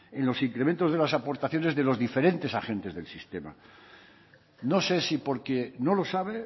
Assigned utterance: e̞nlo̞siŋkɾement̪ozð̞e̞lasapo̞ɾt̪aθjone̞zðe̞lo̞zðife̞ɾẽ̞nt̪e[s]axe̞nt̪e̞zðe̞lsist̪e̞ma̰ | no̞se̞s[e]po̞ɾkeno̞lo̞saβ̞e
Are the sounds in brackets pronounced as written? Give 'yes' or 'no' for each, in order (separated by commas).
yes, no